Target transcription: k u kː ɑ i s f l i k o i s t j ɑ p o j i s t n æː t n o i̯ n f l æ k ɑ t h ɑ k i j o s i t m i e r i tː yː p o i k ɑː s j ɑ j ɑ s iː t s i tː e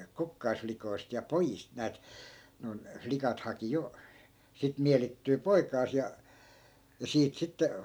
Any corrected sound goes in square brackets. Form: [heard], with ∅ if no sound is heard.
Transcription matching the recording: k u kː ɑ i s f l i k o i s t j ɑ p o j i s t n æː t n o i̯ n f l [i] k ɑ t h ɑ k i j o s i t m i e [l] i tː yː p o i k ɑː s j ɑ j ɑ s iː t s i tː e